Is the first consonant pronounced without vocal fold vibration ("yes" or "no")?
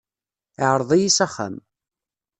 no